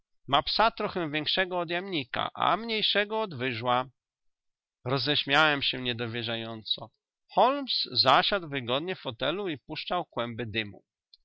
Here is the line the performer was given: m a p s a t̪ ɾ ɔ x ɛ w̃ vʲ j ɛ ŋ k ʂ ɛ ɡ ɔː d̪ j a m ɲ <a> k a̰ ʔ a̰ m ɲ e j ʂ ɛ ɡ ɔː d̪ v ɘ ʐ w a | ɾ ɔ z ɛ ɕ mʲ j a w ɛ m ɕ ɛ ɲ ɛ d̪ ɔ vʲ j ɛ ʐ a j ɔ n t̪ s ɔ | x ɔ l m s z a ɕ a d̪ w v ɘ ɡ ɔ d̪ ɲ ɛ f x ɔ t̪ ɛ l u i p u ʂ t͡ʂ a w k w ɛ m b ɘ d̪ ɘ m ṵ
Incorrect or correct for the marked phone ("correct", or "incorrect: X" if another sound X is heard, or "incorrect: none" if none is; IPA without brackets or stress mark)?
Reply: incorrect: i